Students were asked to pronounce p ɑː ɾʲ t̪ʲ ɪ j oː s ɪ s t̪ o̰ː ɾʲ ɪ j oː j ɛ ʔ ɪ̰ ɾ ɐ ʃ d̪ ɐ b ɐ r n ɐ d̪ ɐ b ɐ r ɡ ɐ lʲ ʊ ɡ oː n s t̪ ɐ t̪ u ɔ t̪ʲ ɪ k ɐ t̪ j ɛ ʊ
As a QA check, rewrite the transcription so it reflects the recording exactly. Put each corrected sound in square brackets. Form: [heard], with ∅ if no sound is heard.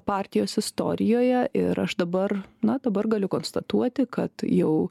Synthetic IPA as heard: p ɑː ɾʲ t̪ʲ ɪ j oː s ɪ s t̪ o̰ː ɾʲ ɪ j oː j ɛ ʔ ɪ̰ ɾ ɐ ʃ d̪ ɐ b ɐ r n ɐ d̪ ɐ b ɐ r ɡ ɐ lʲ ʊ [k] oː n s t̪ ɐ t̪ u ɔ t̪ʲ ɪ k ɐ t̪ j ɛ ʊ